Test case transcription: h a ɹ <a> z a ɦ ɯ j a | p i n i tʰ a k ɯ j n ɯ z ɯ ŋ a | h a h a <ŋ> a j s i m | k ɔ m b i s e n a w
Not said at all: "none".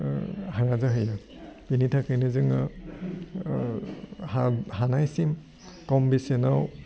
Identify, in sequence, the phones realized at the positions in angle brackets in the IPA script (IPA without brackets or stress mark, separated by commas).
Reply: a, n